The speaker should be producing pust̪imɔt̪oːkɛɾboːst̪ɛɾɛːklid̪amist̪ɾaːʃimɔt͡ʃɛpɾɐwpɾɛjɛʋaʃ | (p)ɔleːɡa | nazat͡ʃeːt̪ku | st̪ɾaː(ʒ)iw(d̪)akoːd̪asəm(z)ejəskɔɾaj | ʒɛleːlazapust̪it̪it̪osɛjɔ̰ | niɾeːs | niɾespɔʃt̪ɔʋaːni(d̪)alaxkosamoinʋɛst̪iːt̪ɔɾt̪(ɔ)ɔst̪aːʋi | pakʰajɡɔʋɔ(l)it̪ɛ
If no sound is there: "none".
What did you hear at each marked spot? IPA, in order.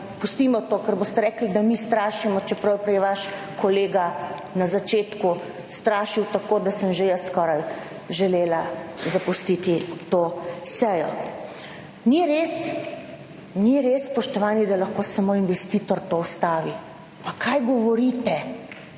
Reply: k, ʃ, t̪, ʒ, d̪, o, ɾ

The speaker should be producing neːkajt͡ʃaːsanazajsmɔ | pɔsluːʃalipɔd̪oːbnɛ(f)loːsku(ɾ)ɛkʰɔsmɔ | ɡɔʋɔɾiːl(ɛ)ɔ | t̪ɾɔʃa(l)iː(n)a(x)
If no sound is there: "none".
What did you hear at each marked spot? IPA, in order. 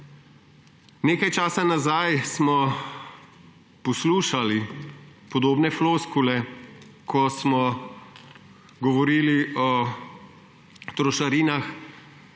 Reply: f, l, i, ɾ, n, x

